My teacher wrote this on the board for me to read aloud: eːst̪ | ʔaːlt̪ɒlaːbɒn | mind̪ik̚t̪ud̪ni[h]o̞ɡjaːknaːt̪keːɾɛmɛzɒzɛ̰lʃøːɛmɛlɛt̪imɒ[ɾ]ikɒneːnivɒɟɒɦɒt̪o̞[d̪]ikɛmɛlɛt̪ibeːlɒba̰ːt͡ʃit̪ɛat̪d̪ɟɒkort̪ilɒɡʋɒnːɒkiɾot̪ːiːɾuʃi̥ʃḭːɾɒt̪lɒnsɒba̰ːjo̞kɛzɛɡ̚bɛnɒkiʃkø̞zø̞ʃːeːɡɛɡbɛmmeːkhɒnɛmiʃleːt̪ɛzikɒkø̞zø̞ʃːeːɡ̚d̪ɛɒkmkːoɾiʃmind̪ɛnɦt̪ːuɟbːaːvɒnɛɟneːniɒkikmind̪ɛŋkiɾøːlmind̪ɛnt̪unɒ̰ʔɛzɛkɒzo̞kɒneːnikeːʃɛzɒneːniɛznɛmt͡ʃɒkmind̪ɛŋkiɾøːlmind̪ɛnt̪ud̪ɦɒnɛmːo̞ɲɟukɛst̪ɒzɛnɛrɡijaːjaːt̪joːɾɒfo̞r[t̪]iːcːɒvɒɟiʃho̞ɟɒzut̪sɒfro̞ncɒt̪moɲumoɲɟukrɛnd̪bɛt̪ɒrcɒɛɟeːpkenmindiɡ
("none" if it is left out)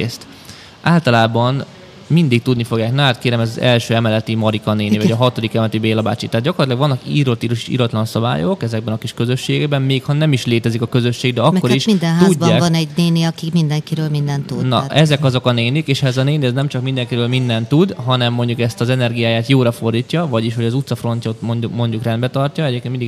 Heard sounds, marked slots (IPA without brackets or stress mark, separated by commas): f, ɾ, d̪, d̪